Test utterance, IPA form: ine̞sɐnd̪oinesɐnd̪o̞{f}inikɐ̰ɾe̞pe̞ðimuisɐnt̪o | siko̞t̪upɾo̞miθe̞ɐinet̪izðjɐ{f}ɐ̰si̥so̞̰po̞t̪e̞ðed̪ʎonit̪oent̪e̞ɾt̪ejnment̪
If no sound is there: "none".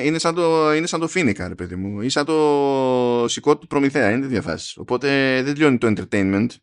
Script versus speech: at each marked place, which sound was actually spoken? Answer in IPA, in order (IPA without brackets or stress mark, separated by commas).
f, f